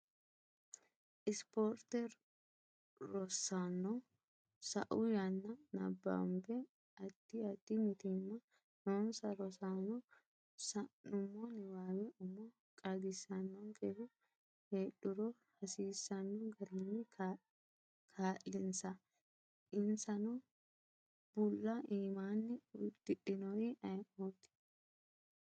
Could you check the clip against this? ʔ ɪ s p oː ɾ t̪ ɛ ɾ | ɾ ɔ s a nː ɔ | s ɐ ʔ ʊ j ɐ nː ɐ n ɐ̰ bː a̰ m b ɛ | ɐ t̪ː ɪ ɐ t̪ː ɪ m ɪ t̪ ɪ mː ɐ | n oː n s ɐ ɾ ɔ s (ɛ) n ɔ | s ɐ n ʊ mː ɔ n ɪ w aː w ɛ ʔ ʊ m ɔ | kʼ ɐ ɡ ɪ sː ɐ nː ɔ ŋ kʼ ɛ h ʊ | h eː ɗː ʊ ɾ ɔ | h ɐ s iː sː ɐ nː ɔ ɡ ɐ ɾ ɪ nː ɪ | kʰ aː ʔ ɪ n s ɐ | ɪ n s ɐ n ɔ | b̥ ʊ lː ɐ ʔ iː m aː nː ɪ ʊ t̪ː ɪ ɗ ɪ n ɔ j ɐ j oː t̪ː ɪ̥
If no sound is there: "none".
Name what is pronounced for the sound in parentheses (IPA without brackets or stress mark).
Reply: a